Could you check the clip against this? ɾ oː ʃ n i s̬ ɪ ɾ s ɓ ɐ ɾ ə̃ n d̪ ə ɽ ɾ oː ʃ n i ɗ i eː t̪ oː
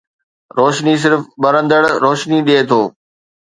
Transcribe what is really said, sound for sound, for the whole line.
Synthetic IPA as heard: ɾ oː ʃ n i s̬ ɪ ɾ f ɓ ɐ ɾ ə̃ n d̪ ə ɽ ɾ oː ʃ n i ɗ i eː t̪ʰ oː